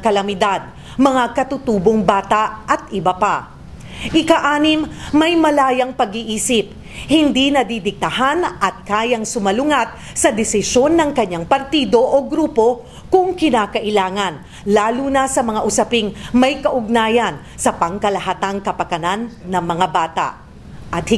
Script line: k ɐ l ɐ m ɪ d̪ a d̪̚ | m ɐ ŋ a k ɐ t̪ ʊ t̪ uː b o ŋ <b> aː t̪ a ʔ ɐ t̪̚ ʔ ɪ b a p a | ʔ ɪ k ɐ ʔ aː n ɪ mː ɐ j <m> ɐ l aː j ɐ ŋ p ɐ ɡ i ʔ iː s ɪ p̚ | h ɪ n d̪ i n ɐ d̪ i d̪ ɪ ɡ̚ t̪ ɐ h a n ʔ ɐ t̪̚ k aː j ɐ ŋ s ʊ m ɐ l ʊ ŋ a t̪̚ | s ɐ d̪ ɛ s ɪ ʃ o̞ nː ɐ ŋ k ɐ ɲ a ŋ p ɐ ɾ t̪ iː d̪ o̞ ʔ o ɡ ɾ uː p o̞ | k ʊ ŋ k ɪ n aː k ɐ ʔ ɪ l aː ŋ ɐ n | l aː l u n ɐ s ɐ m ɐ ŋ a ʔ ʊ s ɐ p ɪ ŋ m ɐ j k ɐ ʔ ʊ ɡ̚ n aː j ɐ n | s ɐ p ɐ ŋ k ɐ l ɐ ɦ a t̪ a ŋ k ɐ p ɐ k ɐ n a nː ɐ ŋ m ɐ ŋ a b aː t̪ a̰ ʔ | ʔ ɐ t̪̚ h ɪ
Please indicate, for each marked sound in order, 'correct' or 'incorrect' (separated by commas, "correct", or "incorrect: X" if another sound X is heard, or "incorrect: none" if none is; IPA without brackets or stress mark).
correct, correct